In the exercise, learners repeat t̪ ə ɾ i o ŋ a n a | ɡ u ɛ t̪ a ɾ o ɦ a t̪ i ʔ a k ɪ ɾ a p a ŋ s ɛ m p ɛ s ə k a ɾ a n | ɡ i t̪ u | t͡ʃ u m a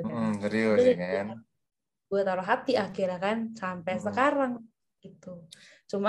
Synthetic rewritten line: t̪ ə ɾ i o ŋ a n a | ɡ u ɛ t̪ a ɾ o ɦ a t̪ i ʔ a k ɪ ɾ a k a n s a m p ɛ s ə k a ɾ a ŋ | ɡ i t̪ u | t͡ʃ u m a